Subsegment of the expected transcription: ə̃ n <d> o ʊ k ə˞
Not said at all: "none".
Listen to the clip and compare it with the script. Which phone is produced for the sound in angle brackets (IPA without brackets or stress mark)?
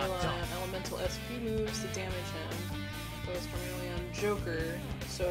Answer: d͡ʒ